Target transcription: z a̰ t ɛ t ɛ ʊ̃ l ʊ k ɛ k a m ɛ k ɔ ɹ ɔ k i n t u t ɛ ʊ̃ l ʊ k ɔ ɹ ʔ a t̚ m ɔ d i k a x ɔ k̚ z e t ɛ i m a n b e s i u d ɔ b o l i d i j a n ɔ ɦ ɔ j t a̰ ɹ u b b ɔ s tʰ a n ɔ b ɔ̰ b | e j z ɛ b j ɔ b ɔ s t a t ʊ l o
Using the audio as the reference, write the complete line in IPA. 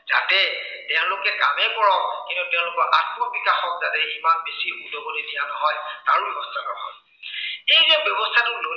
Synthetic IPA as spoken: z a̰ t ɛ t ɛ ʊ̃ l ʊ k ɛ k a m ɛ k ɔ ɹ ɔ k i n t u t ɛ ʊ̃ l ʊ k ɔ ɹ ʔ a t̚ m ɔ b i k a x ɔ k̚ z a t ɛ i m a n b e s i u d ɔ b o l i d i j a n ɔ ɦ ɔ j t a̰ ɹ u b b ɔ s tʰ a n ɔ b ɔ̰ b | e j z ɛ b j ɔ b ɔ s tʰ a t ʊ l o